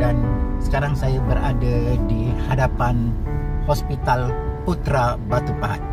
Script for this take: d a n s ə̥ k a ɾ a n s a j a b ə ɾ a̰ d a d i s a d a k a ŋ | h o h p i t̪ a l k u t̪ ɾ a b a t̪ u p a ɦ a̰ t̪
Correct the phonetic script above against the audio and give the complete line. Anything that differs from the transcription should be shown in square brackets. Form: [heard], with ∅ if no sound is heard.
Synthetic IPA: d a n s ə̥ k a ɾ a [ŋ] s a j a b ə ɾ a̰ d a d i [h] a d a [p] a [n] | h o [s] p i t̪ a l [p] u t̪ ɾ a b a t̪ u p a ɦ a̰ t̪